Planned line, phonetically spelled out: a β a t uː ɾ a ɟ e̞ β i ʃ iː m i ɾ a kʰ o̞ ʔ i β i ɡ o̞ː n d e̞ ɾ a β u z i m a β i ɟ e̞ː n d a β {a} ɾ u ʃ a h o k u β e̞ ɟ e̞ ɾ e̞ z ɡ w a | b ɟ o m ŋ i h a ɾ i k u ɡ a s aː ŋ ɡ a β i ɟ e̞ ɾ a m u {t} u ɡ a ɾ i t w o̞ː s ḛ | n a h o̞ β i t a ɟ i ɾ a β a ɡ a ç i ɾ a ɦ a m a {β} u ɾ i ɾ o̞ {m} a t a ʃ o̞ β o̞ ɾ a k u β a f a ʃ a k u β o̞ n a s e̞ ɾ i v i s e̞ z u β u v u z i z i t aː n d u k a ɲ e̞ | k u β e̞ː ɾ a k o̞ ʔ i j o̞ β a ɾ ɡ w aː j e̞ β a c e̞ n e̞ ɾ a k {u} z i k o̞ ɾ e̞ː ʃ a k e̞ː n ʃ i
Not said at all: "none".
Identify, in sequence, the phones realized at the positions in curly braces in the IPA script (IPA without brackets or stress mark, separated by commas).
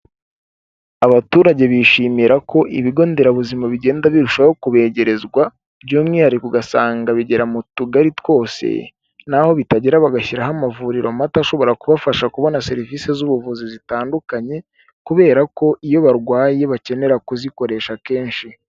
i, t, v, m, u